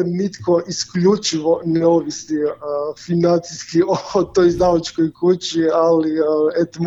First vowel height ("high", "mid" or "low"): high